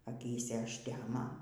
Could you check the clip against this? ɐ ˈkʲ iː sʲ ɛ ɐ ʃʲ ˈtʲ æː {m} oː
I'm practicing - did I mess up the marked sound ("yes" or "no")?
no